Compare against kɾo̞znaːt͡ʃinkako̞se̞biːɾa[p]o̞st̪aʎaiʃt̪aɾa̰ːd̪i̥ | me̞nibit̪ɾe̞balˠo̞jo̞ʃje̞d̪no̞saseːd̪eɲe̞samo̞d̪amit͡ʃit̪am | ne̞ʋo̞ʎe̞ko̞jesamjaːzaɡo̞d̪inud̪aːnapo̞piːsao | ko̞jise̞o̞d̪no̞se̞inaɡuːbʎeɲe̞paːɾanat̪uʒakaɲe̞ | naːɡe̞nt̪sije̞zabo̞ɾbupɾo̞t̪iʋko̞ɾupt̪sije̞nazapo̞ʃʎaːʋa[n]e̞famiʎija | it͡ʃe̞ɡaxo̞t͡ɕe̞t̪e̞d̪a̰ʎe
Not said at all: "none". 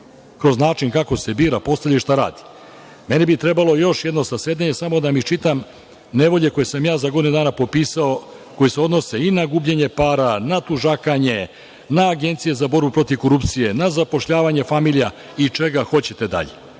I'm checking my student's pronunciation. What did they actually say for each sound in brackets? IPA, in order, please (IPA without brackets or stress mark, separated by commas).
p, ɲ